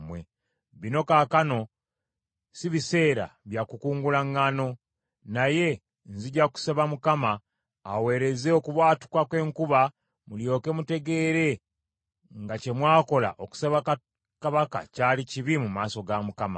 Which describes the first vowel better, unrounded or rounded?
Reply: unrounded